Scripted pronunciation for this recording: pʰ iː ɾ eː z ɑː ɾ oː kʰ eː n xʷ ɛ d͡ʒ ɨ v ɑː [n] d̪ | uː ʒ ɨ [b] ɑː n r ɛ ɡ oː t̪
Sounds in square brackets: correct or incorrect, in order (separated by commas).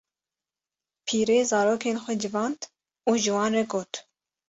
correct, incorrect